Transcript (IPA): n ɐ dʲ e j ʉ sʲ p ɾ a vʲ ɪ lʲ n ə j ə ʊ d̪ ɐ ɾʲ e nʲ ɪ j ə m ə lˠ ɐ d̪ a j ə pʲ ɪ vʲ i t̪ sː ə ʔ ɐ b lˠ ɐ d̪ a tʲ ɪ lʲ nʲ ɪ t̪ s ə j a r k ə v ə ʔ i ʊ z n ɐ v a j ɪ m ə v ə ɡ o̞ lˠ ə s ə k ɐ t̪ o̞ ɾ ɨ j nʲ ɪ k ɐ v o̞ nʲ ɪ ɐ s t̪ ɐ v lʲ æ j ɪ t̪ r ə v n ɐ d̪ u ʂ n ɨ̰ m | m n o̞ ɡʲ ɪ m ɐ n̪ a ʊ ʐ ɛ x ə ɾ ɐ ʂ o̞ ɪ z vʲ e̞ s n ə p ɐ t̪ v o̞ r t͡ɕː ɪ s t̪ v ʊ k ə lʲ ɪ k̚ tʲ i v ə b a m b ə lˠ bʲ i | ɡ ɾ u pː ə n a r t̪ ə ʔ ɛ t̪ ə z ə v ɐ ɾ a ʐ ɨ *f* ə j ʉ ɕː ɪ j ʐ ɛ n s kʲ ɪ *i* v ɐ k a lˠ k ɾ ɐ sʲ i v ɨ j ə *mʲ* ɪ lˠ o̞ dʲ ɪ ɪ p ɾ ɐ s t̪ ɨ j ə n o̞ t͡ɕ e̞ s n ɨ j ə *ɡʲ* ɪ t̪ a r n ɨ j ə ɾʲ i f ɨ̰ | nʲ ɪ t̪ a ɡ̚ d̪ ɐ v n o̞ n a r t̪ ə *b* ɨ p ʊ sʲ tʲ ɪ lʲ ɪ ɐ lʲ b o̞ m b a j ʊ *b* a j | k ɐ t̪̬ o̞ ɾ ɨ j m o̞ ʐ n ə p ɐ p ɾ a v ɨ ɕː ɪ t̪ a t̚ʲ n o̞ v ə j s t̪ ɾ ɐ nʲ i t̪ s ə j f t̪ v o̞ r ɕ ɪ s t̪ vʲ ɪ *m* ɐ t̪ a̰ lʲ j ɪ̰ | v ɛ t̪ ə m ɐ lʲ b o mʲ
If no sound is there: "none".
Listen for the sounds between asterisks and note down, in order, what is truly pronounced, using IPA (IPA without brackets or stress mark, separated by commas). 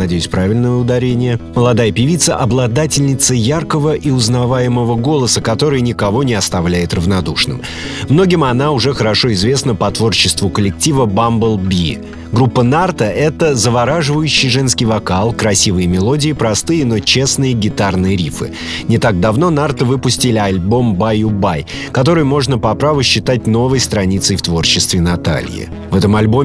v, j, mʲ, ɡʲ, v, b, n